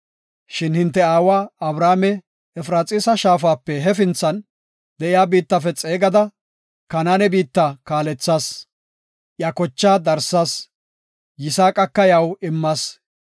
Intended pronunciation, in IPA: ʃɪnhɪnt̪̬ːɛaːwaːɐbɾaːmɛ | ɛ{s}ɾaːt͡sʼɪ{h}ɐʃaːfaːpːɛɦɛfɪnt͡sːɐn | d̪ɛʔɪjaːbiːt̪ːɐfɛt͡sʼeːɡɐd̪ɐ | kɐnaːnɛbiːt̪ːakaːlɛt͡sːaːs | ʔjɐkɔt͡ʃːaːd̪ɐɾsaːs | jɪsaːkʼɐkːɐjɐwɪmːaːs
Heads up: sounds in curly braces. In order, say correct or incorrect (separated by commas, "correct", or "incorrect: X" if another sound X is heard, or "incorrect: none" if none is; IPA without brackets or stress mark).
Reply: incorrect: f, incorrect: s